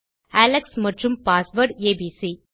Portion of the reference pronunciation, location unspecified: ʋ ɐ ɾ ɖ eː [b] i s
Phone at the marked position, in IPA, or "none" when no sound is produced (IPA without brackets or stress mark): b